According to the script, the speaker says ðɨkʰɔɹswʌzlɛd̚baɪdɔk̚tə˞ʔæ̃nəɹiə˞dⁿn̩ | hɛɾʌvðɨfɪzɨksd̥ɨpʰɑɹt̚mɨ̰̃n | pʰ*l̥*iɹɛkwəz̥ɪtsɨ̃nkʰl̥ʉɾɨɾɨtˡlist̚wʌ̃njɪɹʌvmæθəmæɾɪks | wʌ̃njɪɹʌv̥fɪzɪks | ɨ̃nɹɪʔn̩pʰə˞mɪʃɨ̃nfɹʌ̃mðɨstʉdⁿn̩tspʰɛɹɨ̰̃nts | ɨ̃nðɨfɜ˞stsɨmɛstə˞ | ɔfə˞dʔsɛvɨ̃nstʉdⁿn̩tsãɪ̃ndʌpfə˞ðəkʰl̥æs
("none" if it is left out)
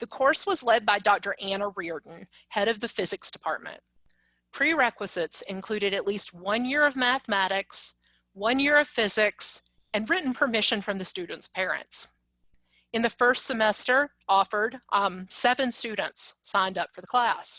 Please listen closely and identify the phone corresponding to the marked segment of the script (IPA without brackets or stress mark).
ɹ̥